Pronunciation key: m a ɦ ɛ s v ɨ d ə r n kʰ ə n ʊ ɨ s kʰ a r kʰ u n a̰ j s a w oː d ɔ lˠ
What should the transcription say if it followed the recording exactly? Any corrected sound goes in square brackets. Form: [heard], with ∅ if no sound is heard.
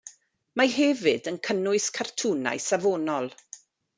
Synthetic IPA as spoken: m a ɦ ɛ [∅] v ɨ d ə [∅] n kʰ ə n ʊ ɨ s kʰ a r [tʰ] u n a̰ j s a [v] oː [n] ɔ lˠ